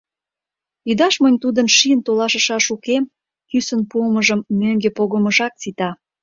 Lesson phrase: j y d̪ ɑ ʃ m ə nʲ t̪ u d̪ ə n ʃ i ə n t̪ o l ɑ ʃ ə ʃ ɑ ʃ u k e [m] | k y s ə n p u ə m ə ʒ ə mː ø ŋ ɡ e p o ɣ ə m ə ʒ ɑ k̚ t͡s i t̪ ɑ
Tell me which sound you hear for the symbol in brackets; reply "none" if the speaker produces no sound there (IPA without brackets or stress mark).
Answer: m